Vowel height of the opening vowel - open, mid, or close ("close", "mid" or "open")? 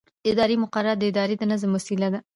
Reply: close